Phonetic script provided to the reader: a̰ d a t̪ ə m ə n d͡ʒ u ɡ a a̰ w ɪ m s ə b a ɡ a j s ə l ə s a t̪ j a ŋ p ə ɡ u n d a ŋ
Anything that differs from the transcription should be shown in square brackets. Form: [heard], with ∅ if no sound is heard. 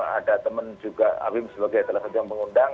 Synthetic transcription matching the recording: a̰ d a t̪ ə m ə n d͡ʒ u ɡ a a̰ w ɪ m s ə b a ɡ a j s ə l [a] s a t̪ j a ŋ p ə [ŋ] u n d a ŋ

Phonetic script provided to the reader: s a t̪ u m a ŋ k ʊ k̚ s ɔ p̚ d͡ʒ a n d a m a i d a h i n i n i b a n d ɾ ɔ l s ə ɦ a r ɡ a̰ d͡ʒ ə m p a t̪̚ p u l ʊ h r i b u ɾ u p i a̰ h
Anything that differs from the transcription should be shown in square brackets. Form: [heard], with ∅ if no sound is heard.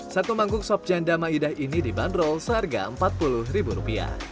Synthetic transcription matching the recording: s a t̪ u m a ŋ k ʊ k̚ s ɔ p̚ d͡ʒ a n d a m a i d a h i n i [d] i b a n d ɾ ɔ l s ə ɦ a r ɡ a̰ [∅] ə m p a t̪̚ p u l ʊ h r i b u ɾ u p i a̰ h

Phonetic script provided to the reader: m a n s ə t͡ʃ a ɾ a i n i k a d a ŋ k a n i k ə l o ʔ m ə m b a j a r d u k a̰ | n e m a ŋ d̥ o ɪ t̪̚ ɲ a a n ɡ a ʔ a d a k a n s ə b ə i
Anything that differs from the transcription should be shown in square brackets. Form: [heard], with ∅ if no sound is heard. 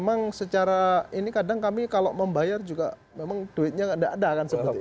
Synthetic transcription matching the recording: m a [ŋ] s ə t͡ʃ a ɾ a i n i k a d a ŋ k a [m] i k [a] l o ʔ m ə m b a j a r [d͡ʒ] u [ɡ] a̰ | [m] e m a ŋ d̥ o ɪ t̪̚ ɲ a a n [d] a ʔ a d a k a n s ə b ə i

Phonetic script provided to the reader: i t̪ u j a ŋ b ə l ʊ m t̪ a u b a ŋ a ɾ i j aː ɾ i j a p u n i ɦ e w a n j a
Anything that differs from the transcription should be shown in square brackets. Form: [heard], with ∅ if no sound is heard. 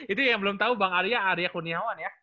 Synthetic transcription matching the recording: i t̪ u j a ŋ b ə l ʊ m t̪ a u b a ŋ a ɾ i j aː ɾ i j a [k] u n i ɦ [a] w a n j a

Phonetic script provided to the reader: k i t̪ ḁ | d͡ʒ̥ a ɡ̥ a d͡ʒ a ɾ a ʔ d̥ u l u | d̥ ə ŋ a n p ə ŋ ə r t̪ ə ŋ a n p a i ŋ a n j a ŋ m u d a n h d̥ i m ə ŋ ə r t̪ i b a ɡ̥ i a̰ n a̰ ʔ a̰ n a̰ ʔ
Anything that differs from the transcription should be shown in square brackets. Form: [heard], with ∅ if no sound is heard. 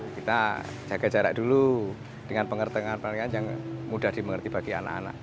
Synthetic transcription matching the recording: k i t̪ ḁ | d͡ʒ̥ a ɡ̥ a d͡ʒ a ɾ a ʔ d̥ u l u | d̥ ə ŋ a n p ə ŋ ə r t̪ ə ŋ a n p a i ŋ a n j a ŋ m u d a [∅] h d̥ i m ə ŋ ə r t̪ i b a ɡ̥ i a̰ n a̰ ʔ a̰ n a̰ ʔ

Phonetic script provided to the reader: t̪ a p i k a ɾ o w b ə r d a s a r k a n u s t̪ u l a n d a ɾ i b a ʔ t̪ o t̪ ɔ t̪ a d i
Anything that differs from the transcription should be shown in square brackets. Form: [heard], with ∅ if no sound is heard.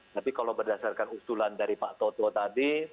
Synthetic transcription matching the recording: t̪ a p i k a [l] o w b ə r d a s a r k a n u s t̪ u l a n d a ɾ i [p] a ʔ t̪ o t̪ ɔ t̪ a d i

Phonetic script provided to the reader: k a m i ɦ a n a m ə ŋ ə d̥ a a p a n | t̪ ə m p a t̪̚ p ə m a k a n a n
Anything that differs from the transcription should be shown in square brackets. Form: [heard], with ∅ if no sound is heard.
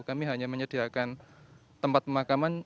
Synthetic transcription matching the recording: k a m i ɦ a [ɲ] a m ə [ɲ] ə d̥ [i] a [k] a n | t̪ ə m p a t̪̚ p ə m a k a [m] a n

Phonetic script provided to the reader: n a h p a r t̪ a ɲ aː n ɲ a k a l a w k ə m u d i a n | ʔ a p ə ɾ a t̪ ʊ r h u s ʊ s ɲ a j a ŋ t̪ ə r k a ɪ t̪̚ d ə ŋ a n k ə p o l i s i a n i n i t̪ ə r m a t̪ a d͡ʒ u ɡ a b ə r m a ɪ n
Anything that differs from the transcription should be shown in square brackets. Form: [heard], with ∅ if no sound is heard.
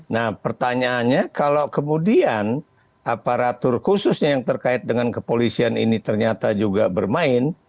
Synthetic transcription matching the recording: n a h p [ə] r t̪ a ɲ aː n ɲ a k a l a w k ə m u d i a n | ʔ a p [a] ɾ a t̪ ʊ r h u s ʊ s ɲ a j a ŋ t̪ ə r k a ɪ t̪̚ d ə ŋ a n k ə p o l i s i a n i n i t̪ ə r [ɲ] a t̪ a d͡ʒ u ɡ a b ə r m a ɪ n

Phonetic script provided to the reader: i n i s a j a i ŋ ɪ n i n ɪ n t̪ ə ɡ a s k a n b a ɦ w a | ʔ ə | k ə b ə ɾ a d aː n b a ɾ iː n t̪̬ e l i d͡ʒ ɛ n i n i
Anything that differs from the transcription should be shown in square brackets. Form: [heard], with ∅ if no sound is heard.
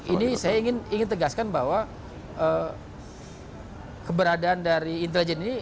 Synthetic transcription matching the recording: i n i s a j a i ŋ ɪ n i [ŋ] ɪ n t̪ ə ɡ a s k a n b a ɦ w a | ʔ ə | k ə b ə ɾ a d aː n [d] a ɾ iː n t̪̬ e l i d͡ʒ ɛ n i n i

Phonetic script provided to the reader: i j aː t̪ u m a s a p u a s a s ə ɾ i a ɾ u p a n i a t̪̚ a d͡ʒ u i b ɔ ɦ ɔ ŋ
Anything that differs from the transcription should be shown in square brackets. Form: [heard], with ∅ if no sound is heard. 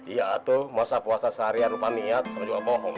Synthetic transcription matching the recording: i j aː t̪ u m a s a p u a s a s [a] ɾ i a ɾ u p a n i a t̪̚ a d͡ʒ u [a] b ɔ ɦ ɔ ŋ

